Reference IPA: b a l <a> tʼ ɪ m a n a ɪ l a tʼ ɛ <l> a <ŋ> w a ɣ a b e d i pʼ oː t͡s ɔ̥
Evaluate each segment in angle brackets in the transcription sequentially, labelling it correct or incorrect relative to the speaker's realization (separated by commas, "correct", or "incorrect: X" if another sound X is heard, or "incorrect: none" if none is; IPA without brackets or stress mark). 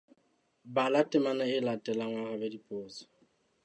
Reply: correct, correct, correct